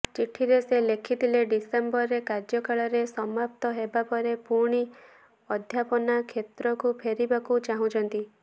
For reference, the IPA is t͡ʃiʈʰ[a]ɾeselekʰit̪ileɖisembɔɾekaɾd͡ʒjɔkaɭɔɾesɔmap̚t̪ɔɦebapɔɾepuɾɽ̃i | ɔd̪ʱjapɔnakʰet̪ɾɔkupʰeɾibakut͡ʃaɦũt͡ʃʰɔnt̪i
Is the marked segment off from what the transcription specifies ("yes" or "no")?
yes